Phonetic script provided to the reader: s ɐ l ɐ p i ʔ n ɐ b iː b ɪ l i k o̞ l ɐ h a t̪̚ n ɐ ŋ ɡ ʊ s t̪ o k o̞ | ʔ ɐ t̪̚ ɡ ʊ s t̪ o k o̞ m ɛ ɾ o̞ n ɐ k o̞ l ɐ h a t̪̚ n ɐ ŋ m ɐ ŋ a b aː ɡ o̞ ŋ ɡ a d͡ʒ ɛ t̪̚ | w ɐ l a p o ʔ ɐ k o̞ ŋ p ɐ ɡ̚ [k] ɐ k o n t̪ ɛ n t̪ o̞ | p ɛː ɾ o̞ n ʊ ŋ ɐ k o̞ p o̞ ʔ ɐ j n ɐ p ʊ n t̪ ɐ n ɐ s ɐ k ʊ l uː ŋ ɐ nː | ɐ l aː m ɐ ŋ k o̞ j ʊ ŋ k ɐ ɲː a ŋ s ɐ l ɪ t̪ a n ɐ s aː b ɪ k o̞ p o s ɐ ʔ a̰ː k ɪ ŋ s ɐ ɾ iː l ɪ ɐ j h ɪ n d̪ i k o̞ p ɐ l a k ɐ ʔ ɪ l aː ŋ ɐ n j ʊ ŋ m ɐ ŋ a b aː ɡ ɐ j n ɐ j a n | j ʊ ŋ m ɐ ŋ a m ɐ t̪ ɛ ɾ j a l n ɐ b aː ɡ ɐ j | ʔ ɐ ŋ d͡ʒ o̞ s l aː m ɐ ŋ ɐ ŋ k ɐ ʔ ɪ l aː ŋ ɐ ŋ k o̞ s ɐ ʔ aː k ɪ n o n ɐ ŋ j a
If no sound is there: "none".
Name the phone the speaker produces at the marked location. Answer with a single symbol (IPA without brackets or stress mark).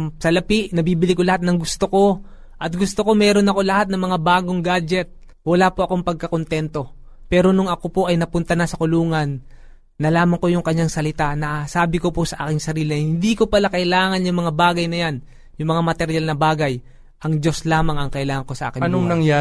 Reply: k